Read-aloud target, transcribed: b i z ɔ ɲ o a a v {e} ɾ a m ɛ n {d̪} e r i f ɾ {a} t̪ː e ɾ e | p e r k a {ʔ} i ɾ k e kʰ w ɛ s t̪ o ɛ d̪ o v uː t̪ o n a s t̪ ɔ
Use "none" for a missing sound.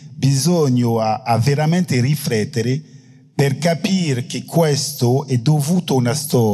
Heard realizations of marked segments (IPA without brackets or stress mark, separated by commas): e, t̪, ɛ, p